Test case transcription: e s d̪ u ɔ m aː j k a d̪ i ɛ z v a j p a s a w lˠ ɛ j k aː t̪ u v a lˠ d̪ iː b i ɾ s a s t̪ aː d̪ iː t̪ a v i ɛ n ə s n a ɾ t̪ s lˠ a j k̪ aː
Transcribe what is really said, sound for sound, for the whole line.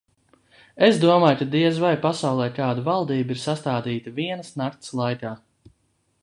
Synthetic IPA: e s d̪ u ɔ m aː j k a d̪ i ɛ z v a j p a s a w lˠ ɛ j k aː d̪ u v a lˠ d̪ iː b i ɾ s a s t̪ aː d̪ iː t̪ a v i ɛ n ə s n a ɾ t̪ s lˠ a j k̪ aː